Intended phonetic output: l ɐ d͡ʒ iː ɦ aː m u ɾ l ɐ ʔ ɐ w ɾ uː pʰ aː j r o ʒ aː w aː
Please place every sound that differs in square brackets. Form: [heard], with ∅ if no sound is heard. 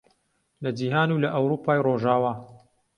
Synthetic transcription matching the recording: l ɐ d͡ʒ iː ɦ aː [n] u [∅] l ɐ ʔ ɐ w ɾ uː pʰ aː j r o ʒ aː w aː